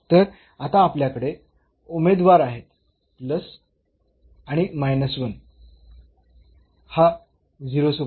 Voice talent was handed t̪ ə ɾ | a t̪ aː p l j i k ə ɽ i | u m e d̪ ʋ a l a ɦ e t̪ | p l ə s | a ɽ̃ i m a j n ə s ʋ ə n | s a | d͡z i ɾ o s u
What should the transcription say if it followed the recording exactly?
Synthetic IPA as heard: t̪ ə ɾ | a t̪ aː p l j a k ə ɽ e | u m e d̪ ʋ a ɾ a ɦ e t̪ | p l ə s | a ɽ̃ i m a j n ə s ʋ ə n | h a | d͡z i ɾ o s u